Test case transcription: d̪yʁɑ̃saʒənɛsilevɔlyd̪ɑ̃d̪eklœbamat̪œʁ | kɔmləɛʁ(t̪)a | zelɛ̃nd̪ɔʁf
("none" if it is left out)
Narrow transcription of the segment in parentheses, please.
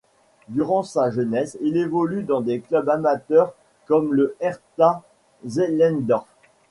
t̪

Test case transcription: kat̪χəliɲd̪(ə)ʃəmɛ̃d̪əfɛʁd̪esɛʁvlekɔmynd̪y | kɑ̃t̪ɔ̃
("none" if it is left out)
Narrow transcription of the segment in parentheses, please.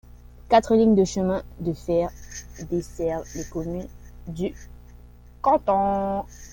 ə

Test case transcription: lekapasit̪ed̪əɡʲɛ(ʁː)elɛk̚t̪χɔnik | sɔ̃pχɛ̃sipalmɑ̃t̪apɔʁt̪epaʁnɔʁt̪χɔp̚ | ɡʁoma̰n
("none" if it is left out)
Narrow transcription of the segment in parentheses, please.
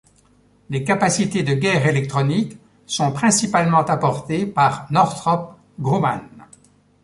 ʁ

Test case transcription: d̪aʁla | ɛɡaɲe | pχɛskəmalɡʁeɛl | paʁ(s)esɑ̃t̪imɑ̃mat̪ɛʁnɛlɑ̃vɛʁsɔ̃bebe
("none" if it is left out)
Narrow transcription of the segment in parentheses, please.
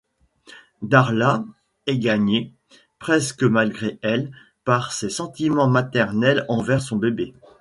s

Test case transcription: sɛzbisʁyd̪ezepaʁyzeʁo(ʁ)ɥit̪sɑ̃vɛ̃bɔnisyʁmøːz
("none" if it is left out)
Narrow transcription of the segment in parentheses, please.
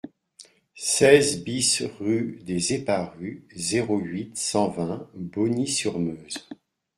none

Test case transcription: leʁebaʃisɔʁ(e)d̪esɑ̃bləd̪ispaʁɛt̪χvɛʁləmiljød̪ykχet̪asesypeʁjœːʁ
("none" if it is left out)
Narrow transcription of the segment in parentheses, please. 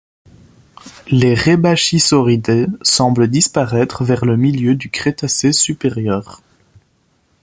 i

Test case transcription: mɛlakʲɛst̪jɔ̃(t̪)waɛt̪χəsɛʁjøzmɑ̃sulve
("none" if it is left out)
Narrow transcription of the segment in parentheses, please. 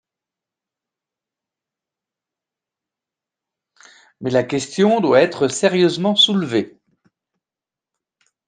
d̪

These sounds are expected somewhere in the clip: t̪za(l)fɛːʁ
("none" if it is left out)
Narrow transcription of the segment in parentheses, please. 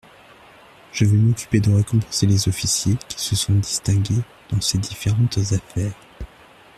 none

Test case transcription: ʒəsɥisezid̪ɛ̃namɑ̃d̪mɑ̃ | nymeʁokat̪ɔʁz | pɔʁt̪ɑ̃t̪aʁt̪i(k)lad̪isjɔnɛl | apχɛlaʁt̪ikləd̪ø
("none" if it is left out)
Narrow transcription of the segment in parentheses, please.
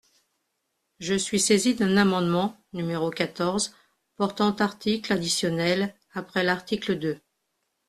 k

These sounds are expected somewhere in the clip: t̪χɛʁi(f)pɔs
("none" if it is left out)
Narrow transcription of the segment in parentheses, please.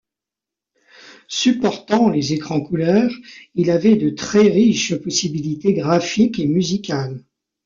ʃ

